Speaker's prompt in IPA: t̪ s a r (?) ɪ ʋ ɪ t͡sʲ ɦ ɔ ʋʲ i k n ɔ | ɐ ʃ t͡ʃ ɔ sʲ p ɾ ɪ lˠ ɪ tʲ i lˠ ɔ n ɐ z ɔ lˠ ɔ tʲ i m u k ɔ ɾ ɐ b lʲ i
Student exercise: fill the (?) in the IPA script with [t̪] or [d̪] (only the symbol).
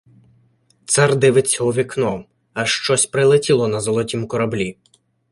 d̪